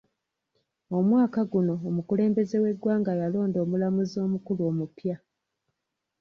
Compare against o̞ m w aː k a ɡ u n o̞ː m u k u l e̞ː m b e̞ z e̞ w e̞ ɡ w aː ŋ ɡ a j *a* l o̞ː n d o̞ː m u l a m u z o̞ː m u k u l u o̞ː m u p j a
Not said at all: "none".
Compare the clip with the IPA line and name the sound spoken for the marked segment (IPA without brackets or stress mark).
a